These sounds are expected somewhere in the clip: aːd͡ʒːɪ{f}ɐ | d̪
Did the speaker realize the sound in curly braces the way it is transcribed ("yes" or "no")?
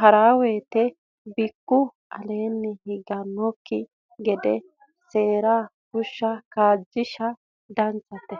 no